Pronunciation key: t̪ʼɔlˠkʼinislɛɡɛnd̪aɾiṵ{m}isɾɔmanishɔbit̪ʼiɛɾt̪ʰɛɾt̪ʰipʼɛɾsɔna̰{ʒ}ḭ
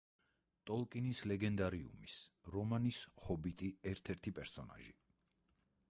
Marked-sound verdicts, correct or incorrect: correct, correct

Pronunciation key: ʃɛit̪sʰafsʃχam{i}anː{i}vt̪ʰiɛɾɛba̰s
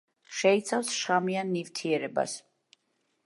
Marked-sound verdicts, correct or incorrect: correct, correct

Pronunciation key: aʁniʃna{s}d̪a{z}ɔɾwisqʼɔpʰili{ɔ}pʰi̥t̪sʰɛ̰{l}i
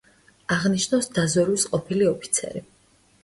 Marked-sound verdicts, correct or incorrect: correct, correct, correct, incorrect

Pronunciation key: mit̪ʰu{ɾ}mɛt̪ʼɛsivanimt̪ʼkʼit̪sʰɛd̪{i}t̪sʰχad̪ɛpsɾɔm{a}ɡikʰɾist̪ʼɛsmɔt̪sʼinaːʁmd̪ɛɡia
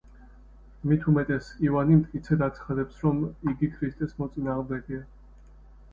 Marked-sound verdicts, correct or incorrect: incorrect, incorrect, incorrect

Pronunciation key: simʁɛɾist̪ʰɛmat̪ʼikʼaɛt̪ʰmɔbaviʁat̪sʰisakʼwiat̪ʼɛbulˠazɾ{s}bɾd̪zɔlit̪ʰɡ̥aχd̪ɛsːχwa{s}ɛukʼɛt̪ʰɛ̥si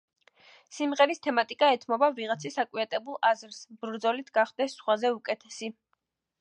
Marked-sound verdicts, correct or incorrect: correct, incorrect

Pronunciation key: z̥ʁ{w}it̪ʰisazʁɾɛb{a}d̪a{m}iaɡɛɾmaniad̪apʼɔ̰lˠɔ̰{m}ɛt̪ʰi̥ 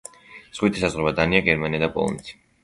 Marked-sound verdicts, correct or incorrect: correct, correct, incorrect, incorrect

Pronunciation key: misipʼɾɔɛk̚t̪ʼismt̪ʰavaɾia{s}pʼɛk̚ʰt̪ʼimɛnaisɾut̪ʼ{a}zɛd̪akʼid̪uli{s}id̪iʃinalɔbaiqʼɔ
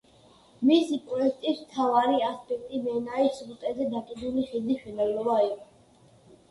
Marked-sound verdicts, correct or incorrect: correct, incorrect, incorrect

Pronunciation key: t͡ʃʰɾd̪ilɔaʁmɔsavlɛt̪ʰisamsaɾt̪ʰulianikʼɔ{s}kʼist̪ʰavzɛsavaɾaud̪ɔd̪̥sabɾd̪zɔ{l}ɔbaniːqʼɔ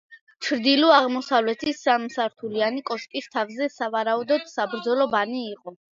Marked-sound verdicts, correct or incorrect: incorrect, correct

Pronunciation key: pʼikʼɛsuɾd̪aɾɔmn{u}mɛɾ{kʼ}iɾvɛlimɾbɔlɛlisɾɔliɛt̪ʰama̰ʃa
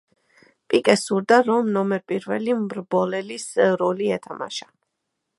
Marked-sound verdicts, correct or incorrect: incorrect, incorrect

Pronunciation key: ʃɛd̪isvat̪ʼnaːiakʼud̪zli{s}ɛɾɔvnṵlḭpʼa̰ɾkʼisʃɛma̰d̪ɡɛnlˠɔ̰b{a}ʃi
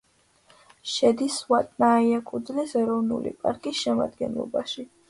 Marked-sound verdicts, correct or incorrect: correct, correct

